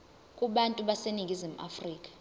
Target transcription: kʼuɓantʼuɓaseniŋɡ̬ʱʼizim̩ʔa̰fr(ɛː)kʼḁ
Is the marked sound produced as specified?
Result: no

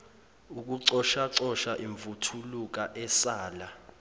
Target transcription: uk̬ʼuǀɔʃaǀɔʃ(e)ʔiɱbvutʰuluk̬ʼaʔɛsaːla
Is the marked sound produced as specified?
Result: no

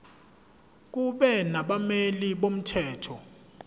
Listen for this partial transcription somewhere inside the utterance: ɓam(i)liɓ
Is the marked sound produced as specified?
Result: no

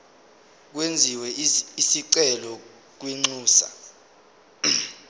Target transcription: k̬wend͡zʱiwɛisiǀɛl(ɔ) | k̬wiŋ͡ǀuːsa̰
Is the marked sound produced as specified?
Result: yes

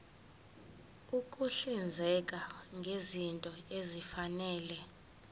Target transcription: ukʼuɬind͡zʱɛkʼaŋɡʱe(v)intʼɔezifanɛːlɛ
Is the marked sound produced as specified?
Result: no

